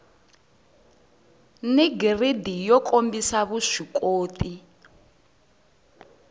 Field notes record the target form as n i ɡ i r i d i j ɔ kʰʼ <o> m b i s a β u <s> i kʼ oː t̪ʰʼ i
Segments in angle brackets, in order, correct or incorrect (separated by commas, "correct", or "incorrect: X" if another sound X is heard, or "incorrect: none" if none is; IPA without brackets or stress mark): correct, incorrect: ʂ